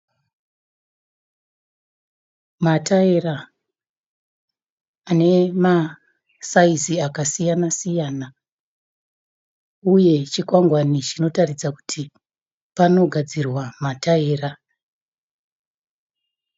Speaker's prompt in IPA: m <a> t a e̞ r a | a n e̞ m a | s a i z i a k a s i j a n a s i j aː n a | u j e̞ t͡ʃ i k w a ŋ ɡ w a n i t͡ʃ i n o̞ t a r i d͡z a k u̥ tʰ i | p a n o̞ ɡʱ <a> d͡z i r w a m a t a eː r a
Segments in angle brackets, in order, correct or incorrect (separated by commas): correct, correct